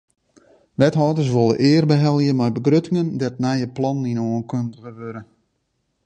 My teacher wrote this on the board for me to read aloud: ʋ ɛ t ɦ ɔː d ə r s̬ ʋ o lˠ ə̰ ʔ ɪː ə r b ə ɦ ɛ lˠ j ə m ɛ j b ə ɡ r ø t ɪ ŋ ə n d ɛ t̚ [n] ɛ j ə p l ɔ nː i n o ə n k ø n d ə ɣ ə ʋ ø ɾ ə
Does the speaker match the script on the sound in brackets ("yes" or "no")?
yes